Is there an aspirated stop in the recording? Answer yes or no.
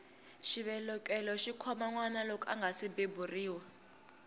yes